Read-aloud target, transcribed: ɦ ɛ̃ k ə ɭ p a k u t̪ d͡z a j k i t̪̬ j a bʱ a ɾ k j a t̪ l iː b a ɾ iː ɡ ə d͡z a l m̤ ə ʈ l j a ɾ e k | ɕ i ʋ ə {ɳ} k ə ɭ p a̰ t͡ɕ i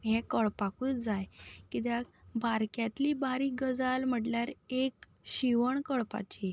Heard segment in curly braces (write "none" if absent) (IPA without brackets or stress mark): ɳ